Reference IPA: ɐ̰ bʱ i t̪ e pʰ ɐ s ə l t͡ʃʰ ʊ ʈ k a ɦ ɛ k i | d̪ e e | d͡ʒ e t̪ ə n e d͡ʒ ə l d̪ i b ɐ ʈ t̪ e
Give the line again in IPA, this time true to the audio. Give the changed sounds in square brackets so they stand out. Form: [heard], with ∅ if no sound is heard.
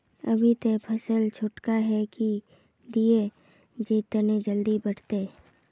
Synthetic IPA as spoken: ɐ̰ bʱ i t̪ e pʰ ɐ s ə l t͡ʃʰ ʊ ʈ k a ɦ ɛ k i | d̪ [i] e | d͡ʒ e t̪ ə n e d͡ʒ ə l d̪ i b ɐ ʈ t̪ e